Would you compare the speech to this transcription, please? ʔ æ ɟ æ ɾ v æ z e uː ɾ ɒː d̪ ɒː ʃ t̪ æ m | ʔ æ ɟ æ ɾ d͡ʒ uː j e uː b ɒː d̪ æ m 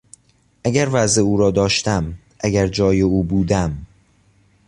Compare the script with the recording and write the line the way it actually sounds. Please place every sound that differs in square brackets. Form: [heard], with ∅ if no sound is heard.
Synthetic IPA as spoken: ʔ æ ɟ æ ɾ v æ z e uː ɾ ɒː d̪ ɒː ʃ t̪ æ m | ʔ æ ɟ æ ɾ d͡ʒ [ɒː] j e uː b [uː] d̪ æ m

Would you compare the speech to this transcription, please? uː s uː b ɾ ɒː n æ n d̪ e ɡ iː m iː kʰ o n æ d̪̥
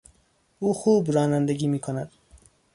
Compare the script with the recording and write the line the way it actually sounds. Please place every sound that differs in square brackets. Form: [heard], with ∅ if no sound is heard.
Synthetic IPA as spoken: uː [x] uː b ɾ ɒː n æ n d̪ e ɡ iː m iː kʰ o n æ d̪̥

